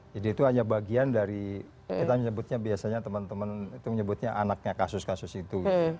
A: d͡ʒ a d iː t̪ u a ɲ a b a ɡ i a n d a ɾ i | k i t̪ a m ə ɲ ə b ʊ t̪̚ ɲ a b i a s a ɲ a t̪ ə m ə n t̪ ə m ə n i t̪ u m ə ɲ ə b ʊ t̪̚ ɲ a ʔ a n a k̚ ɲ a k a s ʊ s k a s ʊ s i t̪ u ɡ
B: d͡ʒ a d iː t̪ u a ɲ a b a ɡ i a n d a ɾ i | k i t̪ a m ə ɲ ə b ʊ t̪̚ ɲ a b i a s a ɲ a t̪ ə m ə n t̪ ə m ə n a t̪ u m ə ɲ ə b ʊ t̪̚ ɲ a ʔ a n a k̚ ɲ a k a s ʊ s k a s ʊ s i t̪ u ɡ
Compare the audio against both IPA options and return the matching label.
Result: A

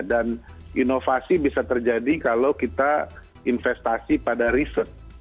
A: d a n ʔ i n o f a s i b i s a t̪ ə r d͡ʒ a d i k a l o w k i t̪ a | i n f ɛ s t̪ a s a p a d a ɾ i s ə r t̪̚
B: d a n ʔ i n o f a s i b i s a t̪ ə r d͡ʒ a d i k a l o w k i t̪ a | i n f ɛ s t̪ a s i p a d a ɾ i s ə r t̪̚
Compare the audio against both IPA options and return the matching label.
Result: B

